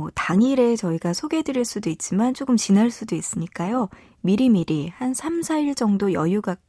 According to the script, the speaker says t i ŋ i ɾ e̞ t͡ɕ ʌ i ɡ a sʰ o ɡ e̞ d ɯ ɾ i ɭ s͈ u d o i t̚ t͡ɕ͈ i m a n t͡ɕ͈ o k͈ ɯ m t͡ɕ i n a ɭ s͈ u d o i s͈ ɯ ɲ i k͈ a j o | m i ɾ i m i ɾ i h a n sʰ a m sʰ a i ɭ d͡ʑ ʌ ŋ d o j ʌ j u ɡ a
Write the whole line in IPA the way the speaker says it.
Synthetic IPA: t a ŋ i ɾ e̞ t͡ɕ ʌ i ɡ a sʰ o ɡ e̞ d ɯ ɾ i ɭ s͈ u d o i t̚ t͡ɕ͈ i m a n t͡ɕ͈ o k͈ ɯ m t͡ɕ i n a ɭ s͈ u d o i s͈ ɯ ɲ i k͈ a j o | m i ɾ i m i ɾ i h a n sʰ a m sʰ a i ɭ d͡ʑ ʌ ŋ d o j ʌ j u ɡ a